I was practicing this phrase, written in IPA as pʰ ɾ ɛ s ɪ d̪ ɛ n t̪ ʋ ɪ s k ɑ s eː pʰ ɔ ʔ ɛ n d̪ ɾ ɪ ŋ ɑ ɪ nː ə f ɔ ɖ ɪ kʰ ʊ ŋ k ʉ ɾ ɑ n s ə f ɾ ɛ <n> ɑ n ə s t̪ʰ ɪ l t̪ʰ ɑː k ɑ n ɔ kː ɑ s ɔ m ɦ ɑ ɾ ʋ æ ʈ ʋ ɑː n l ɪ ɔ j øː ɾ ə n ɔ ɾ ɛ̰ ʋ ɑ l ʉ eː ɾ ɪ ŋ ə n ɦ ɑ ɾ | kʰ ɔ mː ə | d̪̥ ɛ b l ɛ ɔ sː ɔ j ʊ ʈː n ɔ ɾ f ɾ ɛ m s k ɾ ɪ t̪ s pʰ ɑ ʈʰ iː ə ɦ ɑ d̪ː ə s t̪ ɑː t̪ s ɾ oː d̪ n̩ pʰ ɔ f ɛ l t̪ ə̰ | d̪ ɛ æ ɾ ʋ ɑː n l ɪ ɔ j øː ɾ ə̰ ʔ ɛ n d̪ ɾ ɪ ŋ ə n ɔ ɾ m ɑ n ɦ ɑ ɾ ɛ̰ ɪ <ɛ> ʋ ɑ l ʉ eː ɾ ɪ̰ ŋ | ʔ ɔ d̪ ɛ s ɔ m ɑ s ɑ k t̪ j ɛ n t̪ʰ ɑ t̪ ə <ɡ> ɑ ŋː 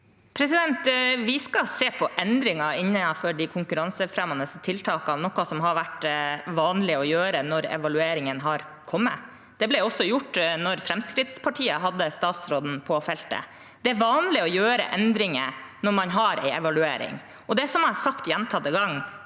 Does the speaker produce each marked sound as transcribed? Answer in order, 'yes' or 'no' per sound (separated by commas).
no, yes, yes